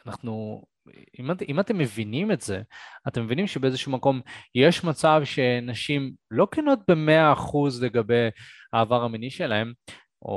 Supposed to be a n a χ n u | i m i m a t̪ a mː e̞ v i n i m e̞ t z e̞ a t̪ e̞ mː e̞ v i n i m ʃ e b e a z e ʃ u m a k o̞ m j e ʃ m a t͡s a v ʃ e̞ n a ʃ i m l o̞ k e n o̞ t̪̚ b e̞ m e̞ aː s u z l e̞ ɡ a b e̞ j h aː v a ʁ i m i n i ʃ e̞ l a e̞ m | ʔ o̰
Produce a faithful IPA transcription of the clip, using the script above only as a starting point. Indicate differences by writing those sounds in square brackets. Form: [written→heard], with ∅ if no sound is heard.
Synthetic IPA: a n a χ n u | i m i m a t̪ [a→e] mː e̞ v i n i m e̞ t z e̞ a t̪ e̞ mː e̞ v i n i m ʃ e b e [a→e] z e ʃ u m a k o̞ m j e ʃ m a t͡s a v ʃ e̞ n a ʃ i m l o̞ k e n o̞ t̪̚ b e̞ m e̞ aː [s→χ] u z l e̞ ɡ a b e̞ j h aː v a ʁ [i→a] m i n i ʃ e̞ l a e̞ m | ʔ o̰